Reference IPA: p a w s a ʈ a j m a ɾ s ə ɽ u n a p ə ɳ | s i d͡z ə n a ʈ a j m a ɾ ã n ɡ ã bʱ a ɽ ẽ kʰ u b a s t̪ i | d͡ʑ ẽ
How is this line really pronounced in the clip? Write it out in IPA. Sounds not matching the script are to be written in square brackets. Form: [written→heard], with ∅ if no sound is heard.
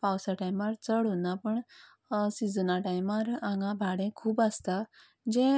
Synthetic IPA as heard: p a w s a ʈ a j m a ɾ [s→t͡s] ə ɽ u n a p ə ɳ | s i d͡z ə n a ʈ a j m a ɾ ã [n→ŋ] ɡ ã bʱ a ɽ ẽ kʰ [u→uː] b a s t̪ [i→a] | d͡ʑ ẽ

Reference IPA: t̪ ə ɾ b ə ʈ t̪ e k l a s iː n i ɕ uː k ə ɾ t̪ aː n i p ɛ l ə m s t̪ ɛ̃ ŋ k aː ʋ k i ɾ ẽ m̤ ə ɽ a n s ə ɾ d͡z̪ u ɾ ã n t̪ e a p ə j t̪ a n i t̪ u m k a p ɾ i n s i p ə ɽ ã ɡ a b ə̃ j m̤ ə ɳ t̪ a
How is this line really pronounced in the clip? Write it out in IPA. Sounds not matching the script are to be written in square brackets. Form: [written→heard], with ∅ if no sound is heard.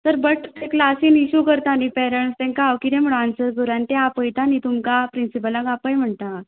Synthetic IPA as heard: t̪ ə ɾ b ə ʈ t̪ e k l a s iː n i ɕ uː k ə ɾ t̪ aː n i p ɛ [l→ɾ] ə [m→ɳ] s t̪ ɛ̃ ŋ k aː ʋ k i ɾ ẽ m̤ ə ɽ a n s ə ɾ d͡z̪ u ɾ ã n t̪ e a p ə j t̪ a n i t̪ u m k a p ɾ i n s i p ə [ɽ→l] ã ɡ a [b→p] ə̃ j m̤ ə ɳ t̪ a

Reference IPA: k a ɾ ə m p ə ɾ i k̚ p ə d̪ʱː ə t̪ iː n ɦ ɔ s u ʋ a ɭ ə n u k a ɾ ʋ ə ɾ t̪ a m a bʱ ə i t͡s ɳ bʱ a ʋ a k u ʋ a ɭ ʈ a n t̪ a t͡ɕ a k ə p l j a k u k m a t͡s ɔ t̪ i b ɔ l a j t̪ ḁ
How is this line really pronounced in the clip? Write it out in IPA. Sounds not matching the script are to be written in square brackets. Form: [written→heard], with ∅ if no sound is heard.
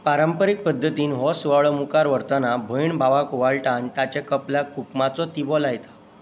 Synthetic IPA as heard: [k→p] a ɾ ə m p ə ɾ i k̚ p ə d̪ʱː ə t̪ iː n ɦ ɔ s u ʋ a ɭ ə [n→m] u k a ɾ ʋ ə ɾ t̪ a [m→n] a bʱ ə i [t͡s→∅] ɳ bʱ a ʋ a k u ʋ a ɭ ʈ a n t̪ a t͡ɕ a k ə p l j a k u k m a t͡s ɔ t̪ i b ɔ l a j t̪ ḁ

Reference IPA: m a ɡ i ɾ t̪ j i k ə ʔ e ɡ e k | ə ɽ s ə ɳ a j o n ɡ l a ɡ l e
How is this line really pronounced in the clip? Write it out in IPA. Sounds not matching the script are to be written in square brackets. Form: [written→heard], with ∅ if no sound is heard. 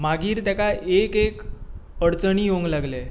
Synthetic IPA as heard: m a ɡ [i→iː] ɾ t̪ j [i→a] k [ə→a] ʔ e [ɡ→k] e k | ə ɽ [s→t͡s] ə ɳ [a→i] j o [n→ŋ] ɡ l a ɡ l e

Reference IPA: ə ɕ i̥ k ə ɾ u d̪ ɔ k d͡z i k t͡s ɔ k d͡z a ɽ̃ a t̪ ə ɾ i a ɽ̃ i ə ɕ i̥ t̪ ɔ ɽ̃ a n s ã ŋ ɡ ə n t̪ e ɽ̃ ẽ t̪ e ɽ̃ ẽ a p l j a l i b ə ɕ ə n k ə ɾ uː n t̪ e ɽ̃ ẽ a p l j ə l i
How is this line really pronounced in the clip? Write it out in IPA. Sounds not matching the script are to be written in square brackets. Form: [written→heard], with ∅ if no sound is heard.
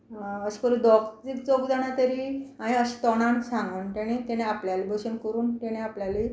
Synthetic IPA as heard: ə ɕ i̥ k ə ɾ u d̪ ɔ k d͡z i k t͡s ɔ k d͡z a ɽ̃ a t̪ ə ɾ i a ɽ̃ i ə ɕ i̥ t̪ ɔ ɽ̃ a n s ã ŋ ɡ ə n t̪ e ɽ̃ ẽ t̪ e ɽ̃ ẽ a p l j a l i b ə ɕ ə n k ə ɾ uː n t̪ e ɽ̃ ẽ a p l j [ə→a] l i

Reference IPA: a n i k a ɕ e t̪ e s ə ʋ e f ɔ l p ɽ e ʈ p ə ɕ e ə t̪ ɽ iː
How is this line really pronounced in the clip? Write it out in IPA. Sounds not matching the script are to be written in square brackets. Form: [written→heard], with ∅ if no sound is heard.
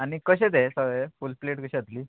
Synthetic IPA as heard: a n i k [a→ə] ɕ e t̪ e s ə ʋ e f [ɔ→u] l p [ɽ→l] e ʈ [p→k] ə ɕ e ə t̪ [ɽ→l] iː

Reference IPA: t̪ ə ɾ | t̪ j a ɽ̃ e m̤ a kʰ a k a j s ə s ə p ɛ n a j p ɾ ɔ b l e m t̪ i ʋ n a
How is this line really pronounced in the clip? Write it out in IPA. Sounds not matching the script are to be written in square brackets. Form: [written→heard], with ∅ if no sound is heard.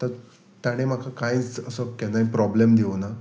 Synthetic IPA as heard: t̪ ə ɾ | t̪ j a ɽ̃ e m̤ a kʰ a k a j [s→t͡s] ə s ə [p→k] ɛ n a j p ɾ ɔ b l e m [t̪→d̪] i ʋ n a

